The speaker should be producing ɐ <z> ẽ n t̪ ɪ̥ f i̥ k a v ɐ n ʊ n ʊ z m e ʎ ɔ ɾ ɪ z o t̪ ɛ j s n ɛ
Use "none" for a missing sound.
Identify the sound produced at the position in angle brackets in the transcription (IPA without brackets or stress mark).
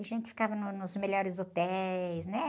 ʒ